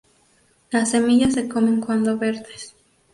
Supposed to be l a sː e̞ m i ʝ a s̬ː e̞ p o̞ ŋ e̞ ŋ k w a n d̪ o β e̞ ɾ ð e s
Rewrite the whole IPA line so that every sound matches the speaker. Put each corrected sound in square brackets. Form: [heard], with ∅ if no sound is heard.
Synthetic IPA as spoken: l a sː e̞ m i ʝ a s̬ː e̞ [k] o̞ [m] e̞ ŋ k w a n d̪ o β e̞ ɾ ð e s